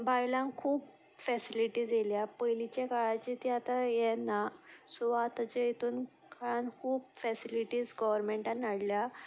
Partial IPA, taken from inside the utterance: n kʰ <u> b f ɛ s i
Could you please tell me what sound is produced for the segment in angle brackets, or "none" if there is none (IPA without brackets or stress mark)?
uː